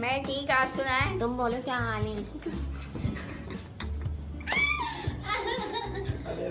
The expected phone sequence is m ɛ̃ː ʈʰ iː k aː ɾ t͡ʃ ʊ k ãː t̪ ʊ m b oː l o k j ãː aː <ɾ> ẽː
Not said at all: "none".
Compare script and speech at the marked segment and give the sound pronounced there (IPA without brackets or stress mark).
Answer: l